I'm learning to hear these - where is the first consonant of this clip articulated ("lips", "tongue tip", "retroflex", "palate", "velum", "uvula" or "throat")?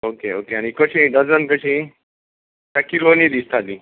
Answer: velum